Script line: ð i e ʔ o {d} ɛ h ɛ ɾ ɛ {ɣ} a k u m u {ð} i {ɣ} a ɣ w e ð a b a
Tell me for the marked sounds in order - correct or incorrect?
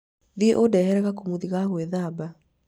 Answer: correct, correct, correct, correct

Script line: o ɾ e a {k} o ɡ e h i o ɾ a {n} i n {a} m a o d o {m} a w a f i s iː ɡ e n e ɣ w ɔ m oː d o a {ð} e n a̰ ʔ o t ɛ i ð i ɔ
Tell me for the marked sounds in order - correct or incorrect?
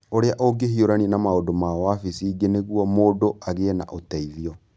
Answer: incorrect, correct, correct, correct, incorrect

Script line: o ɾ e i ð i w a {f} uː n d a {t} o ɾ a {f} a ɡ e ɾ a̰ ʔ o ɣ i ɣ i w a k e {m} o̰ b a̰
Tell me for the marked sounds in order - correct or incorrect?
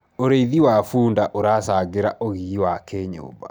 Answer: correct, incorrect, incorrect, incorrect

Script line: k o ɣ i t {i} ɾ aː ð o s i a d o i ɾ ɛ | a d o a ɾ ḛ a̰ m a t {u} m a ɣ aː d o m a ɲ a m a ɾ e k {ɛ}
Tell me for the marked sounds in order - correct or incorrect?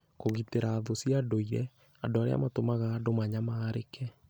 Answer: incorrect, incorrect, correct

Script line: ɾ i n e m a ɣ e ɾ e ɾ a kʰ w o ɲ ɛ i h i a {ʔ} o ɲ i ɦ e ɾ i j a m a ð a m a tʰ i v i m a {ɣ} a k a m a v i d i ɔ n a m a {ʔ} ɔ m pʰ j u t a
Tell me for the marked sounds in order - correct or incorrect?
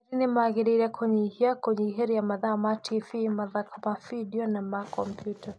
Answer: incorrect, incorrect, incorrect

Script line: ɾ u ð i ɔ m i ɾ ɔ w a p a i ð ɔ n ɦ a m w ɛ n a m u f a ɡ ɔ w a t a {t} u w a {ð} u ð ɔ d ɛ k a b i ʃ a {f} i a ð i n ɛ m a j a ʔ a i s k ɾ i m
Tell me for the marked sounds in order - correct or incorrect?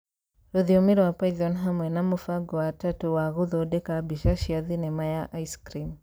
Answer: correct, incorrect, incorrect

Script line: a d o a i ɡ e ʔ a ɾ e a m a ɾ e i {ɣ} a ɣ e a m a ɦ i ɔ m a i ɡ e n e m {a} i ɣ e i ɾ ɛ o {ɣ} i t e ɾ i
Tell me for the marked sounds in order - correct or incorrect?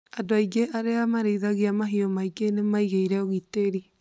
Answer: incorrect, correct, correct

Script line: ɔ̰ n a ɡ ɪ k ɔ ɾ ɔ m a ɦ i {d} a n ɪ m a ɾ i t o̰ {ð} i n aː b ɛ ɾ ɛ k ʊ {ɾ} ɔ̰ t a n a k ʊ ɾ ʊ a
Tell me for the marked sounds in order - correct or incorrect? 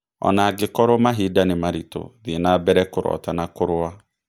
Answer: correct, correct, correct

